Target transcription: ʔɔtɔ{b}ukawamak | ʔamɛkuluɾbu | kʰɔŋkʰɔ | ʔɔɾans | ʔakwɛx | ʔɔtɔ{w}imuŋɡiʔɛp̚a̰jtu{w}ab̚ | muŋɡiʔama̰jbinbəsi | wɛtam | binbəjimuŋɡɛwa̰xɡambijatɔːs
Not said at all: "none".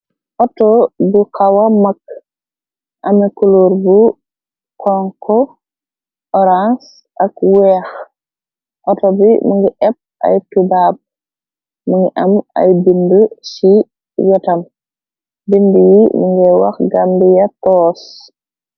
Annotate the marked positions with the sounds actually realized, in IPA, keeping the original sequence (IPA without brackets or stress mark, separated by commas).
b, b, b